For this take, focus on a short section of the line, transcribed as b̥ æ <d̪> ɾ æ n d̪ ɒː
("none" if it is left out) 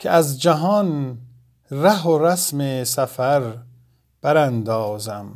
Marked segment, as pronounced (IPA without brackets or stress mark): none